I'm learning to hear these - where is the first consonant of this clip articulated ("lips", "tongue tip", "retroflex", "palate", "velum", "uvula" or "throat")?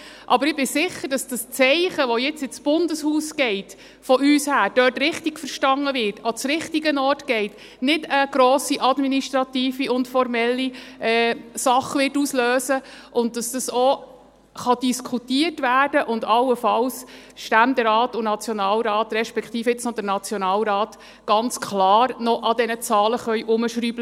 throat